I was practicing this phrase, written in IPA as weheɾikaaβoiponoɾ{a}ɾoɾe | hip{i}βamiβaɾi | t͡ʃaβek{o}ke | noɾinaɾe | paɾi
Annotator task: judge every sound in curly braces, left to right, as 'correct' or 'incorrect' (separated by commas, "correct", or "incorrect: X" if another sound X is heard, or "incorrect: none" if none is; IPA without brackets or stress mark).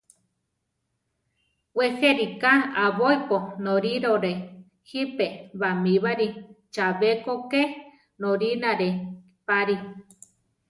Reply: incorrect: i, incorrect: e, correct